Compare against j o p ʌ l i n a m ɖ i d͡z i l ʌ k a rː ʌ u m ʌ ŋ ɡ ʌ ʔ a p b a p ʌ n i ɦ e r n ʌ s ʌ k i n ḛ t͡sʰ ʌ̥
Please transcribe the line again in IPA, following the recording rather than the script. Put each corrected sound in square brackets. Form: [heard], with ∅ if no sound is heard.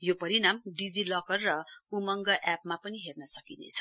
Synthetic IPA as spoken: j o p ʌ [ɾ] i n a m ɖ i d͡z i l ʌ k [ʌ] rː ʌ u m ʌ ŋ ɡ ʌ ʔ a p [m] a p ʌ n i ɦ e r n ʌ s ʌ k i n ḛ t͡sʰ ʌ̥